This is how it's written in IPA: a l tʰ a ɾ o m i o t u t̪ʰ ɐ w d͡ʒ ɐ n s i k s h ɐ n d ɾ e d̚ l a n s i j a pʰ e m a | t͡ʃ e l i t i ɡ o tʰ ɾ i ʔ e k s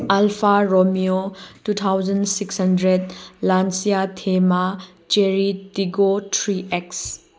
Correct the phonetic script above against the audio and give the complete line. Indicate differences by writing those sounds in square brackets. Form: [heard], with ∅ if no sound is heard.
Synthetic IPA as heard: a l [pʰ] a ɾ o m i o t u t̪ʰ [a] w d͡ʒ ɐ n s i k s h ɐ n d ɾ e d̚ l a n s i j a [tʰ] e m a | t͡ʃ e [ɾ] i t i ɡ o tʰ ɾ i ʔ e k s